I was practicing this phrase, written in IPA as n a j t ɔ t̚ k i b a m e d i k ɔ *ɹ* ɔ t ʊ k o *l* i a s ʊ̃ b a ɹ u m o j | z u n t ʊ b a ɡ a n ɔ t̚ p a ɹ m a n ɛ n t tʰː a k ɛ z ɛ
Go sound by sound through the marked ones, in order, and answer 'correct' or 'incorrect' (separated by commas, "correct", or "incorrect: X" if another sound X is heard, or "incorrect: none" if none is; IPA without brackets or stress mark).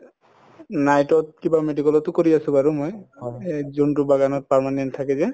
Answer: incorrect: l, incorrect: ɹ